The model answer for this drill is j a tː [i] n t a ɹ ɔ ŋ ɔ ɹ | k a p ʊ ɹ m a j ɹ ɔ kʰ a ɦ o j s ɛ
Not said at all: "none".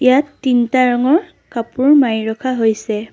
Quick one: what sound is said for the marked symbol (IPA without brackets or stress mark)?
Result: i